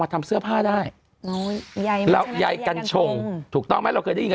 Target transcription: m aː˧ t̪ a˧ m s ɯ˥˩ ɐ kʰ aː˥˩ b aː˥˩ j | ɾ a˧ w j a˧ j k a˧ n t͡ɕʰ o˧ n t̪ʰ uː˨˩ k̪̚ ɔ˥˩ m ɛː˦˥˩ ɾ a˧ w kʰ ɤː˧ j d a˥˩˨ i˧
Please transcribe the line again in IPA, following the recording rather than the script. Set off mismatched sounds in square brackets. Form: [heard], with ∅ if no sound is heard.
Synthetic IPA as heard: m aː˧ [t̪ʰ] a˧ m s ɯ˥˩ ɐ [pʰ] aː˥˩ [d] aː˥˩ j | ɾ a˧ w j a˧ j k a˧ n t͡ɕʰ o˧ [ŋ] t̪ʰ uː˨˩ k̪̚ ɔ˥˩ m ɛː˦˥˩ ɾ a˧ w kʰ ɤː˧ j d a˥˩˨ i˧